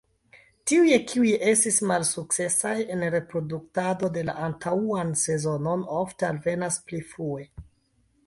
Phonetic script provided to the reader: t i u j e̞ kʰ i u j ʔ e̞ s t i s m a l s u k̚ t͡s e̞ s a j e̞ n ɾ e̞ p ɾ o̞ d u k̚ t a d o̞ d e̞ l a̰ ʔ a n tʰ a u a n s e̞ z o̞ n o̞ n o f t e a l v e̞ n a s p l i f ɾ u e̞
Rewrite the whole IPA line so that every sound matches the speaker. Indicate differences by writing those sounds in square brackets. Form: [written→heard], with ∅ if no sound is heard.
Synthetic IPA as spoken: t i u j e̞ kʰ i u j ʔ e̞ s t i s m a l s u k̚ t͡s e̞ s a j e̞ n ɾ e̞ p ɾ o̞ d u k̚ t a d o̞ d e̞ l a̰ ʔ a n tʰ a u a n s e̞ z o̞ n o̞ n o f t e a l v e̞ n a s p l i f ɾ u e̞